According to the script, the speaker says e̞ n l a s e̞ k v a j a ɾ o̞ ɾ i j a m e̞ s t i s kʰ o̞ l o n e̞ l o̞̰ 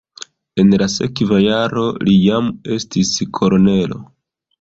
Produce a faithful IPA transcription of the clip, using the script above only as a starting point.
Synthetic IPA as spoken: e̞ n l a s e̞ k v a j a ɾ o̞ l i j a m e̞ s t i s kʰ o̞ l o n e̞ l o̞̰